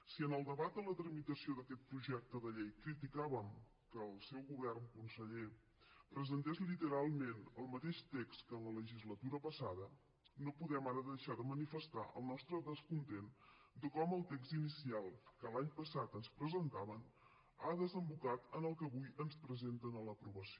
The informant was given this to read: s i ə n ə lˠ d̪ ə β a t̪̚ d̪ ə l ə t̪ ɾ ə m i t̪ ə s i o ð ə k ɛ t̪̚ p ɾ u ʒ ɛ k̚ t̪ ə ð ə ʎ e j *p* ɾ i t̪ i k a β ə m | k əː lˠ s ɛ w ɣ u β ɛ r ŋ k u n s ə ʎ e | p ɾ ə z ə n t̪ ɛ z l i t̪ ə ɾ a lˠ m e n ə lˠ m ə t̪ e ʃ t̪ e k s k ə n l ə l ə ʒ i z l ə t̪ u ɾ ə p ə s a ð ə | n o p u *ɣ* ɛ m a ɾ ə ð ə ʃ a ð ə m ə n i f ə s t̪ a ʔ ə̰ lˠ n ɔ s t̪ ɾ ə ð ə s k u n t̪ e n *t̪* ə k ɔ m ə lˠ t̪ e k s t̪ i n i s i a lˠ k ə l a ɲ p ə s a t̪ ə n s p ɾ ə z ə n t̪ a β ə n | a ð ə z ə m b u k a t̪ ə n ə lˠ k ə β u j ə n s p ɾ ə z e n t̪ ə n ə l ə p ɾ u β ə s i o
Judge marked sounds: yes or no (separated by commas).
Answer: no, no, no